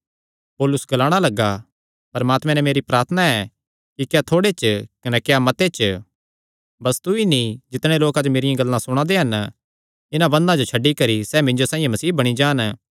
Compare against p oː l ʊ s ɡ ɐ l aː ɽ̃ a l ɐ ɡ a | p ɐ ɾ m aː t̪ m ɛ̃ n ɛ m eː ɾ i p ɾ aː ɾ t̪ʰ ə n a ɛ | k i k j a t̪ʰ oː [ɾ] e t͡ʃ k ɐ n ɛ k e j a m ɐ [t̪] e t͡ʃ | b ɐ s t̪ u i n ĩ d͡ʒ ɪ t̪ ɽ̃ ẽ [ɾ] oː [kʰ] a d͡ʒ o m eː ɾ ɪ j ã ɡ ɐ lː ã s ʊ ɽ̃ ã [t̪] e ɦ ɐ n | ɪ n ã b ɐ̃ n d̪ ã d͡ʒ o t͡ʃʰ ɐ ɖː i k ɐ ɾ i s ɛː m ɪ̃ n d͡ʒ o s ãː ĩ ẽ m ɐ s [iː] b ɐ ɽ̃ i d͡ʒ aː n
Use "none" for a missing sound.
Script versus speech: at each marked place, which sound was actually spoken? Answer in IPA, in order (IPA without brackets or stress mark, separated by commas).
ɽ, t̪, l, k, d̪, iː